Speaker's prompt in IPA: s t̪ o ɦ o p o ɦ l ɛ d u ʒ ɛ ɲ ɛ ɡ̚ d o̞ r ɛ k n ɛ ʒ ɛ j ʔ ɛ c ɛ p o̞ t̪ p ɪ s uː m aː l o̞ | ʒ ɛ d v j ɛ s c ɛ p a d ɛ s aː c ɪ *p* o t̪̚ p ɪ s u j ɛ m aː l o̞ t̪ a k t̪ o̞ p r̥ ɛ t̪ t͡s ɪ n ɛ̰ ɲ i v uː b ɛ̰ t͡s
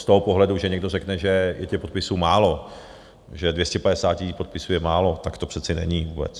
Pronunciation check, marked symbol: correct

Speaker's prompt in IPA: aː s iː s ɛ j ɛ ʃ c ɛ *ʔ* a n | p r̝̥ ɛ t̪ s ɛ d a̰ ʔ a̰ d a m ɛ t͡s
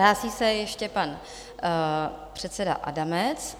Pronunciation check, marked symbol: incorrect: p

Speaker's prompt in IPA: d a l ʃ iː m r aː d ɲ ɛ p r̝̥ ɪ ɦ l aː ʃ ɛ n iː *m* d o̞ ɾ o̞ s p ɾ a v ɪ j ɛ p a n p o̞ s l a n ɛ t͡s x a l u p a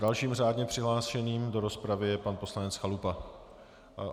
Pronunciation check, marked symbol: correct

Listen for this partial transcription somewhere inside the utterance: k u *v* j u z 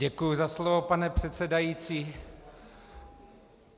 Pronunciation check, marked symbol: incorrect: none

